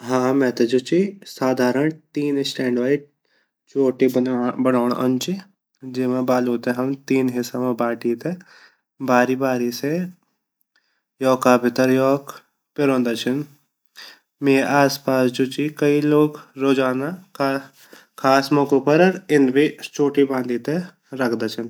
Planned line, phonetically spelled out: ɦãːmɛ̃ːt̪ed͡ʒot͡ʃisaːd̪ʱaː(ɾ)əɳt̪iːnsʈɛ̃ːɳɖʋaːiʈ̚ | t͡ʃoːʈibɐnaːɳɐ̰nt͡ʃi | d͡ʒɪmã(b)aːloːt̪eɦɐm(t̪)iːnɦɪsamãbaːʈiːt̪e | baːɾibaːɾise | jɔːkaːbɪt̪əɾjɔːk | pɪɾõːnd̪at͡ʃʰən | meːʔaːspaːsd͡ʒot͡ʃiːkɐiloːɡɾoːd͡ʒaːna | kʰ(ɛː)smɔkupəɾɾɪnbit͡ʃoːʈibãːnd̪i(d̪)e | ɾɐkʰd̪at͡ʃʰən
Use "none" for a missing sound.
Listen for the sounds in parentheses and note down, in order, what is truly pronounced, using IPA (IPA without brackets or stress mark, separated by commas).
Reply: ɾ, b, t̪, aː, t̪